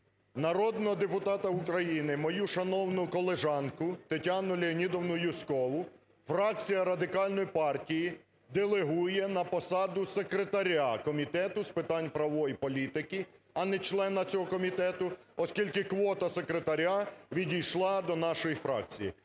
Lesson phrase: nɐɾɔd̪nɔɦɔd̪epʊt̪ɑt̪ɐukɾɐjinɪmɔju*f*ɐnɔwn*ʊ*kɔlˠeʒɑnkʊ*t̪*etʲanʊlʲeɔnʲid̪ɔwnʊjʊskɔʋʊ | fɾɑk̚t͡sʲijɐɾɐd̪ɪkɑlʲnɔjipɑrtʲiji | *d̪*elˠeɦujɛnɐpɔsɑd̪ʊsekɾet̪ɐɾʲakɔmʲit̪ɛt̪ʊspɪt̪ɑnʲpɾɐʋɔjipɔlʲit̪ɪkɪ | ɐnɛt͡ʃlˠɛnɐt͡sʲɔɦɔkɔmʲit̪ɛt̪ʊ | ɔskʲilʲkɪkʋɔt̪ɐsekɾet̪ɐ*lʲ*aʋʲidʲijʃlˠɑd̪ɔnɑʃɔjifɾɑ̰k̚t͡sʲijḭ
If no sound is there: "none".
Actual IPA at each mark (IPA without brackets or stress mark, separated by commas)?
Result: ʃ, ʊ, t̪, d̪, ɾʲ